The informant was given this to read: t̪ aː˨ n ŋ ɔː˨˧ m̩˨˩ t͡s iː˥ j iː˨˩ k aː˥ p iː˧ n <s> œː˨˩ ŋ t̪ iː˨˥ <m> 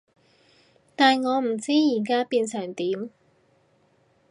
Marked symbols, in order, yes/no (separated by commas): yes, yes